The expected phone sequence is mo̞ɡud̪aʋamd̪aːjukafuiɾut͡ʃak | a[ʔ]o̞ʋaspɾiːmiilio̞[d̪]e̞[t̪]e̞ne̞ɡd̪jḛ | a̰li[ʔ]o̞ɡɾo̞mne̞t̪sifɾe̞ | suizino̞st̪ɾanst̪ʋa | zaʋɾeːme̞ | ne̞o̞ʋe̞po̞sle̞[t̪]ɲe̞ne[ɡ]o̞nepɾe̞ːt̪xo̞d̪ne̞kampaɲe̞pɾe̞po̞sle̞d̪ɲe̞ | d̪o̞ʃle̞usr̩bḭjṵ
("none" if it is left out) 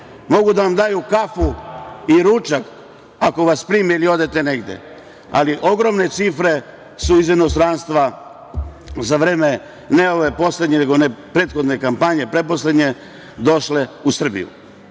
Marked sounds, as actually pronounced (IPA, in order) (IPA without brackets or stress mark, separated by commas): k, d̪, t̪, ʔ, d̪, ɡ